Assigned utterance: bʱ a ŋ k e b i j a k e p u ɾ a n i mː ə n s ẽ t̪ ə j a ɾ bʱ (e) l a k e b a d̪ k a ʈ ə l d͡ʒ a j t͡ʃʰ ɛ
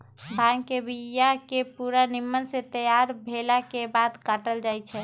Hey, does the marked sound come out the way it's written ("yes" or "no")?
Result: yes